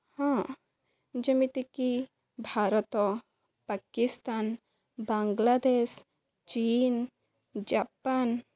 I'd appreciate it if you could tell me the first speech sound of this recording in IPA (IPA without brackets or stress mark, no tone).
h